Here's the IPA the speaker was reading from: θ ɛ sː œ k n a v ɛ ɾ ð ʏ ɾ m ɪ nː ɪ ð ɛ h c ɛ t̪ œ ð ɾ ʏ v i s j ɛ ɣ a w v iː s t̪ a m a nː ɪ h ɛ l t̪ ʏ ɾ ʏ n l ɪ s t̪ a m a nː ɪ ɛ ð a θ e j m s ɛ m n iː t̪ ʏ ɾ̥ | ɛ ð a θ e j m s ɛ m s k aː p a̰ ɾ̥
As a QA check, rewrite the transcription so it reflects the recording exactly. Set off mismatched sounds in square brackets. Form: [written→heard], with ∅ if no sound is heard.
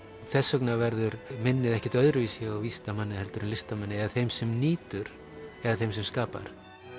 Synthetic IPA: θ ɛ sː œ k n a v ɛ ɾ ð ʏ ɾ m ɪ nː ɪ ð ɛ h c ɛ t̪ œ ð ɾ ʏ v i s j ɛ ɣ a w v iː s t̪ a m a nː ɪ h ɛ l t̪ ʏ ɾ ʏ n l ɪ s t̪ a m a nː ɪ ɛ ð a θ e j m s ɛ m n iː t̪ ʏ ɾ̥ | ɛ ð a θ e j m s ɛ m s k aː p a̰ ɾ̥